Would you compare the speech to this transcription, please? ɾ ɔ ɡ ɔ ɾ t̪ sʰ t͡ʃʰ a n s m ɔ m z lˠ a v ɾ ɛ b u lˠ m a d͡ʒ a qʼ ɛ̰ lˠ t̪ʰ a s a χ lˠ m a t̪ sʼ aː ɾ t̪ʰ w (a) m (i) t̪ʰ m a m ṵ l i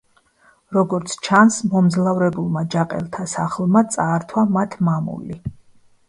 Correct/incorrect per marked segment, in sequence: correct, incorrect

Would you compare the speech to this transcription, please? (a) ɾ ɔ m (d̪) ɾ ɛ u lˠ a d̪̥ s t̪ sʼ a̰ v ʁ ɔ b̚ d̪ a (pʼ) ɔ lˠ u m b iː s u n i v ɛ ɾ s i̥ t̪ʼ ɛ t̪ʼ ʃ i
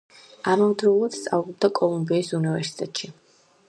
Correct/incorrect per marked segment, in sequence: correct, correct, incorrect

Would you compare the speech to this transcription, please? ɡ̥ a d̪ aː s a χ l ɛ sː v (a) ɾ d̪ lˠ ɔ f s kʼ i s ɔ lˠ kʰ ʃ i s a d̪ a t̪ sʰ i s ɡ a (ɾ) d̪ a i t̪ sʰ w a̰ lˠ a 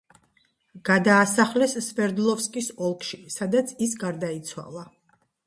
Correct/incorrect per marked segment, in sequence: incorrect, correct

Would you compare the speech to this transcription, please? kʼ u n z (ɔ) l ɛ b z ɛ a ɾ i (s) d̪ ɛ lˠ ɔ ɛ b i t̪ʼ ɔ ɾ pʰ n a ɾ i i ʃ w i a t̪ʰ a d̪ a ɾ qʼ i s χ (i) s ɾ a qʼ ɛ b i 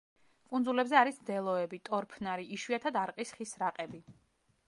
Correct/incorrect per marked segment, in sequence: incorrect, correct, correct

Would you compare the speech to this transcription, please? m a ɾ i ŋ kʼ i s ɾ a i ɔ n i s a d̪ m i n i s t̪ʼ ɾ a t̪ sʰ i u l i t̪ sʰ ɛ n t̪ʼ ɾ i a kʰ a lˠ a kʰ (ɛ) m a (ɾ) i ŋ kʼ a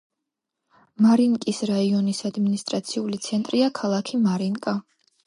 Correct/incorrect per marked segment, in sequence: incorrect, correct

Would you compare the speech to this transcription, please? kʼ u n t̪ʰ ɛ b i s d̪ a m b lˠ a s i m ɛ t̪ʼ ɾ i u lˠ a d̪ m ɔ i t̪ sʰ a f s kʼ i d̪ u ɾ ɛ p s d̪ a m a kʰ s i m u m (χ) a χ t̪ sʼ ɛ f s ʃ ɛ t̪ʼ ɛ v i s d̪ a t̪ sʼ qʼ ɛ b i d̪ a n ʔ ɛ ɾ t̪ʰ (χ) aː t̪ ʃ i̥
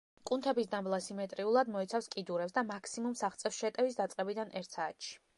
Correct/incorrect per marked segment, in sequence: incorrect, incorrect

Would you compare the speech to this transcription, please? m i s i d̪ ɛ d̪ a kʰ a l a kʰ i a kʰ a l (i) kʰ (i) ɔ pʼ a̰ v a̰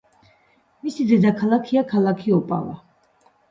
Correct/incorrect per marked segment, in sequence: incorrect, correct

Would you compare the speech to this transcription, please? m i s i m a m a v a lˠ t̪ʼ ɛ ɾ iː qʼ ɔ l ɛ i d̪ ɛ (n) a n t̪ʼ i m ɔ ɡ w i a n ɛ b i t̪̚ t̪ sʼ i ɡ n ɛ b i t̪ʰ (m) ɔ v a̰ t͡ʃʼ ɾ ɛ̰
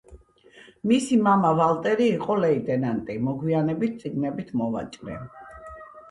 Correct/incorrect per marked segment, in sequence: correct, correct

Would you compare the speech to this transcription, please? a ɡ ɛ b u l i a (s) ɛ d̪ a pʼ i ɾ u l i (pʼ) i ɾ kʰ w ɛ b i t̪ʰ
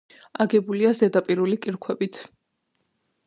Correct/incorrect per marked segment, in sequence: incorrect, incorrect

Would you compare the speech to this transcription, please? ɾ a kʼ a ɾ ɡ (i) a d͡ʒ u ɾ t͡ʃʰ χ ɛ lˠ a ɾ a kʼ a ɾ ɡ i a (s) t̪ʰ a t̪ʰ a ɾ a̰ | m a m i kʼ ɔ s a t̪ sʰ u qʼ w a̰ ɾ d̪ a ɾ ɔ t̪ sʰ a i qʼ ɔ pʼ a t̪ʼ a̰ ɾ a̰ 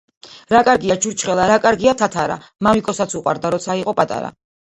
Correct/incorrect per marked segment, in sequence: correct, incorrect

